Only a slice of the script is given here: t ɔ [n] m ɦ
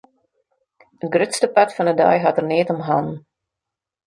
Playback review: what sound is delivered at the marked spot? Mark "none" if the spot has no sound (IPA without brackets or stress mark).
none